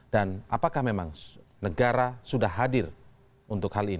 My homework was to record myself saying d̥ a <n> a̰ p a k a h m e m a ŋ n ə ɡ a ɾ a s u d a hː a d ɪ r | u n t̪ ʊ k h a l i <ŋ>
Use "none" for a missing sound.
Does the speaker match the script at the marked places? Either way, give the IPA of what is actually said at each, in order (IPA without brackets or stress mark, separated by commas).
n, n